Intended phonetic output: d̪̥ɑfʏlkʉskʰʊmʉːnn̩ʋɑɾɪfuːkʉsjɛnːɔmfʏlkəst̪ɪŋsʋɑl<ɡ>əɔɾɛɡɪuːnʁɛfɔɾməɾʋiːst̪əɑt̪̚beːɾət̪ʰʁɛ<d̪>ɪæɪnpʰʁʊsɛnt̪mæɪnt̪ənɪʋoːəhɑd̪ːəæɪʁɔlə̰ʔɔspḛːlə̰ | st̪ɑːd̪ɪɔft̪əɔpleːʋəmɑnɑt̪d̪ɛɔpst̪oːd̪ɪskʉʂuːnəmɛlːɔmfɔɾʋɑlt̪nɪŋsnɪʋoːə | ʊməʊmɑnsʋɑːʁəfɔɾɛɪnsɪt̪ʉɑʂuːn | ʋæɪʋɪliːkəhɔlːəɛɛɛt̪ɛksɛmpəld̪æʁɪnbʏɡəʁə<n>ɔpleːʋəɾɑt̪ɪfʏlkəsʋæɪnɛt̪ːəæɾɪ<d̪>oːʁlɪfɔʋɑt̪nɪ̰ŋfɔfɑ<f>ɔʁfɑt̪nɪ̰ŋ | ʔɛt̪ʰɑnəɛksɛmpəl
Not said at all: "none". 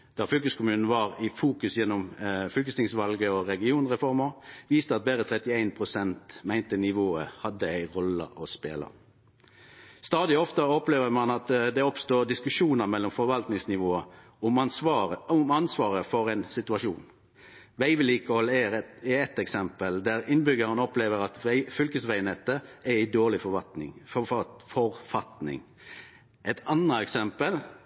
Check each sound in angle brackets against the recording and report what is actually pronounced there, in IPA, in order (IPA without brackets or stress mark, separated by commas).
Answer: ɡ, t̪, n, d̪, f